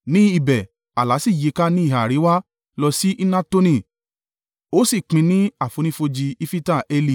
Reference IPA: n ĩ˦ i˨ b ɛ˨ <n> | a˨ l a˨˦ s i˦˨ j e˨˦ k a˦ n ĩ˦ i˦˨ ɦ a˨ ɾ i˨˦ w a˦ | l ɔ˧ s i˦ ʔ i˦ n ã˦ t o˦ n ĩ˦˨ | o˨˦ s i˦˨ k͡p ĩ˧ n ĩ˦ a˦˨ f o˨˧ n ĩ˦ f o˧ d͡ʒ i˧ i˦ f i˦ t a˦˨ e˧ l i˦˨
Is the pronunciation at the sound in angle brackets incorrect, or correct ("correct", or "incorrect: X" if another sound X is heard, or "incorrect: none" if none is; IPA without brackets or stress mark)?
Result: incorrect: none